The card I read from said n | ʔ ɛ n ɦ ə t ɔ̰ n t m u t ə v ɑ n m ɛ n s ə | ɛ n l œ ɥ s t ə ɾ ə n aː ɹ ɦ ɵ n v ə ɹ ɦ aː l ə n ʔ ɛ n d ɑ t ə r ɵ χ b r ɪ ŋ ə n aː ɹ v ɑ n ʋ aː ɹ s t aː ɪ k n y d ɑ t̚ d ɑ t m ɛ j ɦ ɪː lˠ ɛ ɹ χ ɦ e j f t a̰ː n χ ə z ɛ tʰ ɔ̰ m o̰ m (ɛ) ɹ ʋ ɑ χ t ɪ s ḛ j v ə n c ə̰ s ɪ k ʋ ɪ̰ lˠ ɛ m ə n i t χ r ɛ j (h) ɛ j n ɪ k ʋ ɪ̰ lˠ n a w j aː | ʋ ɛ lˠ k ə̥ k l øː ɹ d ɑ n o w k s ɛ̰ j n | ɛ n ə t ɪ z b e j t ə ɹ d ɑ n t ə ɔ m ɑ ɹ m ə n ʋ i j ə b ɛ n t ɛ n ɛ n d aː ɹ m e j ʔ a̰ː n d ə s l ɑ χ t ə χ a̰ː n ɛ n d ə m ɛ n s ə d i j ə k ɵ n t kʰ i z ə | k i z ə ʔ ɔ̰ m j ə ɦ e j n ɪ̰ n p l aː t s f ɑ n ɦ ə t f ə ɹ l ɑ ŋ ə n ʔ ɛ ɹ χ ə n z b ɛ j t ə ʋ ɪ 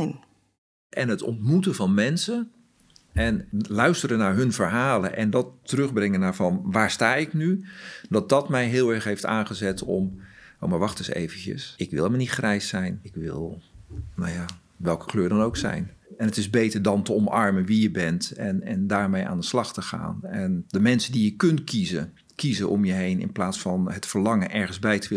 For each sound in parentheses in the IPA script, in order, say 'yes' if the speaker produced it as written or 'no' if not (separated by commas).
no, no